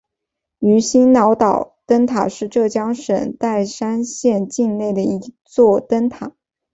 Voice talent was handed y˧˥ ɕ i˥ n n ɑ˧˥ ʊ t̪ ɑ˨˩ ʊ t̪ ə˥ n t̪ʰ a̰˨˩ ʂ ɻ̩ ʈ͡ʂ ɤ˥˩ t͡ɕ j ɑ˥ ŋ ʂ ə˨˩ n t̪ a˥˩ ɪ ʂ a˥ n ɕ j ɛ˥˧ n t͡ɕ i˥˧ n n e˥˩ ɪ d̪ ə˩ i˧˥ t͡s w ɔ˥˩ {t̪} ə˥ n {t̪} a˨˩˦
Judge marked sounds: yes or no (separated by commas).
yes, no